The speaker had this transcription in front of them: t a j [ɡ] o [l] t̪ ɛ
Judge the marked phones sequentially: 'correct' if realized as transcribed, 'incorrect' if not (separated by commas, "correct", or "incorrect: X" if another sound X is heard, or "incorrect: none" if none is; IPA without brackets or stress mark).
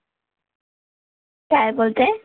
incorrect: b, correct